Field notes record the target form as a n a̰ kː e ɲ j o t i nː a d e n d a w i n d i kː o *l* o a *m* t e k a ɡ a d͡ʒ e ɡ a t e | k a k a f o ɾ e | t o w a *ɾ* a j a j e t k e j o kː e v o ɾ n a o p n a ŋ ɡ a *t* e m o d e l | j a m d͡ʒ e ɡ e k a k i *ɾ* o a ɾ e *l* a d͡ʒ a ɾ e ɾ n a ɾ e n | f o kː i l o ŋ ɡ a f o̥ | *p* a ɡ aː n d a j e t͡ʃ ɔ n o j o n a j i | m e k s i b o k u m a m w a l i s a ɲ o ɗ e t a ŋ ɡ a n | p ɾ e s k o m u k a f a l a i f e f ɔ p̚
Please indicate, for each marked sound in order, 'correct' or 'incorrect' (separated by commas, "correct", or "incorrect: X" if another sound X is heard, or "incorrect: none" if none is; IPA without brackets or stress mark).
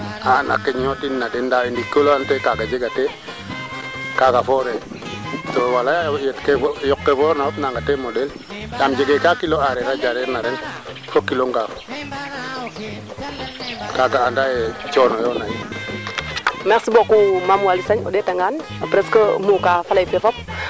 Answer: correct, incorrect: n, incorrect: l, correct, incorrect: l, incorrect: ɾ, incorrect: k